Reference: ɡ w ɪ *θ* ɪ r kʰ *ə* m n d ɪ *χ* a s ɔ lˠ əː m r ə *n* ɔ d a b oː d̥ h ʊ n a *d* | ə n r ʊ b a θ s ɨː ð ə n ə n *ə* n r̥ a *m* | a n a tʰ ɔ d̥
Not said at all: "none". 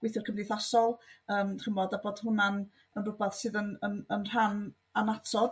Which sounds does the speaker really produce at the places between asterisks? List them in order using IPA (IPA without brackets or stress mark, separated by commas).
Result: θ, ə, θ, m, n, ə, n